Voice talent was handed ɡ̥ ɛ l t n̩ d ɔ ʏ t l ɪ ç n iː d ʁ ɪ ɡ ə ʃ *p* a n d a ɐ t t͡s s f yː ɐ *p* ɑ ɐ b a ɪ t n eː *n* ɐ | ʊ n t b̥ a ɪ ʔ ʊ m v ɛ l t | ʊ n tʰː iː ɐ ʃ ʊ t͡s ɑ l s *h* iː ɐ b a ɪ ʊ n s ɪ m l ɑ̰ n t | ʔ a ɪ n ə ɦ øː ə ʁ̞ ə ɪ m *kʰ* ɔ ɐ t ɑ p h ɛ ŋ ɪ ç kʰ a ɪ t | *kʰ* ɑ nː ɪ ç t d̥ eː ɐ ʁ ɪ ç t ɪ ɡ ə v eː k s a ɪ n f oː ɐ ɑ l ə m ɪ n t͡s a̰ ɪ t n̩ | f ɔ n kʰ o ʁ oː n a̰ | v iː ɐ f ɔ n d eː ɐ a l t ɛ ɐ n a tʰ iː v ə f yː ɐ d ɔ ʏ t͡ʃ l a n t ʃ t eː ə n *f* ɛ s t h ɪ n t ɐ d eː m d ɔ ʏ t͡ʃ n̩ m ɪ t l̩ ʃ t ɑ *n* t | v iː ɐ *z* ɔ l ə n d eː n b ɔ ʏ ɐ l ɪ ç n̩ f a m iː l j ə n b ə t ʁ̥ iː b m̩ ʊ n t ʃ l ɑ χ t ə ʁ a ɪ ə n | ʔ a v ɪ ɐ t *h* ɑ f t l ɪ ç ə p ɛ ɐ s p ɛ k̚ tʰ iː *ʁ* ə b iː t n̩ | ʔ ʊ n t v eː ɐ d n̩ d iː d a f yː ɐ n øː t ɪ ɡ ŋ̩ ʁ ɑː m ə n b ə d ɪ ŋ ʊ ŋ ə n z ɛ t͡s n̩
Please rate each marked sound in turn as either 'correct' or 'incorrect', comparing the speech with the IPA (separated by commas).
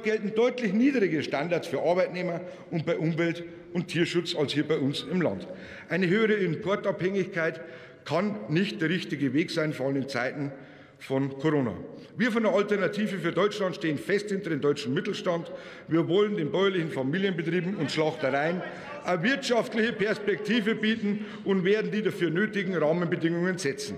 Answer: incorrect, incorrect, incorrect, correct, incorrect, correct, correct, correct, incorrect, incorrect, incorrect